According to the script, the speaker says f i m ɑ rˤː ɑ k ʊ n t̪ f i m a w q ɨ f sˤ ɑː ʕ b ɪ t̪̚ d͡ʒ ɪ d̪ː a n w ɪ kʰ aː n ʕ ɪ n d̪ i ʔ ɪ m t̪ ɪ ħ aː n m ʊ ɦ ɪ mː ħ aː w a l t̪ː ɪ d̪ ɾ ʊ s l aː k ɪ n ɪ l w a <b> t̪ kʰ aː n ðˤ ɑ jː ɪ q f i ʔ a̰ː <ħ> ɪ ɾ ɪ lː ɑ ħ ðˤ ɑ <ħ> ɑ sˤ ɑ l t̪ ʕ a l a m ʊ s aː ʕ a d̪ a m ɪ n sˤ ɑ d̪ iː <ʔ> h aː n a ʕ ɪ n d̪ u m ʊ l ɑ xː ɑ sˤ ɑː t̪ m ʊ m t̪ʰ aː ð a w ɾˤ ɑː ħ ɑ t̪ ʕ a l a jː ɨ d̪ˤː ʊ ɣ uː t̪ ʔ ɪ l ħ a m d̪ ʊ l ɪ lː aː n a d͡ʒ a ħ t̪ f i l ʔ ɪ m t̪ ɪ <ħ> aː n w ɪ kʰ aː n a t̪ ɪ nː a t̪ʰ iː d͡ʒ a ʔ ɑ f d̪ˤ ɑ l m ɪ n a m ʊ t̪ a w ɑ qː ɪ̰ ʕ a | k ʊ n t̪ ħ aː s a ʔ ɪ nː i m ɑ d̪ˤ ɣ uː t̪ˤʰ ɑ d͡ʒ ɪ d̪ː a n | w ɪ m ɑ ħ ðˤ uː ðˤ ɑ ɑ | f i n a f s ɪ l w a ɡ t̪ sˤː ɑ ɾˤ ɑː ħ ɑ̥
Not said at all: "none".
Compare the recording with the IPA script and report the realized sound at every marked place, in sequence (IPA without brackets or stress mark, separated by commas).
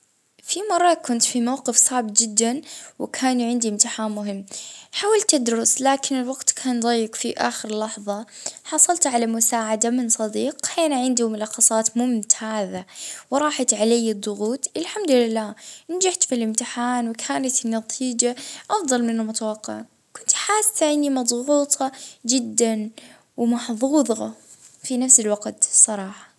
ɡ, x, ħ, q, ħ